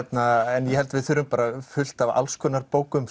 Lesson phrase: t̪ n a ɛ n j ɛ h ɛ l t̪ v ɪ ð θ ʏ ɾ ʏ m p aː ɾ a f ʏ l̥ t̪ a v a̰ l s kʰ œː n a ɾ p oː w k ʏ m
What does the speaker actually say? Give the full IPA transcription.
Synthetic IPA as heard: t̪ n a ɛ n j ɛ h ɛ l t̪ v ɪ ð θ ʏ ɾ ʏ m p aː ɾ a f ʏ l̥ t̪ a v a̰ l s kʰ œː n a ɾ p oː w k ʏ m